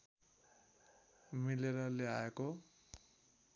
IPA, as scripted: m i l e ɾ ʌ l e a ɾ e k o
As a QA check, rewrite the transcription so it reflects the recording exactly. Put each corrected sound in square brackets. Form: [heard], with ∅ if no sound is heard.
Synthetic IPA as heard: m i l e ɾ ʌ l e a [∅] e k o